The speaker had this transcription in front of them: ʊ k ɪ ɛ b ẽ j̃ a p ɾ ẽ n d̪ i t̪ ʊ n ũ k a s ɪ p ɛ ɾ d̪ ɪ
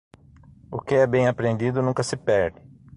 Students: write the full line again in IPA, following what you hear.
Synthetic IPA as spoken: ʊ k ɪ ɛ b ẽ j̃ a p ɾ ẽ n d̪ i d̪ ʊ n ũ k ɐ s ɪ p ɛ ɾ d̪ ɪ